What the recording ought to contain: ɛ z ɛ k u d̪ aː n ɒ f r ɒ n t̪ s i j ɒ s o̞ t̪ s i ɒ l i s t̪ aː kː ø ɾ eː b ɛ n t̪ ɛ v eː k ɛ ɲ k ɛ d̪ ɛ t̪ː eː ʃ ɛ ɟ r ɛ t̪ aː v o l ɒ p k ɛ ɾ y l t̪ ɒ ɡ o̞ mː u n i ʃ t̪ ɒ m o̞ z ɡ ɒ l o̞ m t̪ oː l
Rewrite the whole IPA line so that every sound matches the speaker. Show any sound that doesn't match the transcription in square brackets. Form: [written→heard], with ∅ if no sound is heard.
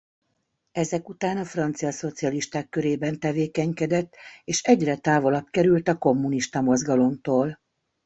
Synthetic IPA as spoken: ɛ z ɛ k u [d̪→t̪] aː n ɒ f r ɒ n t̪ s i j ɒ s o̞ t̪ s i ɒ l i [s→ʃ] t̪ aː kː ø ɾ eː b ɛ n t̪ ɛ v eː k ɛ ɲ k ɛ d̪ ɛ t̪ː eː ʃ ɛ ɟ r ɛ t̪ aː v o l ɒ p k ɛ ɾ y l t̪ ɒ [ɡ→k] o̞ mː u n i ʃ t̪ ɒ m o̞ z ɡ ɒ l o̞ m t̪ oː l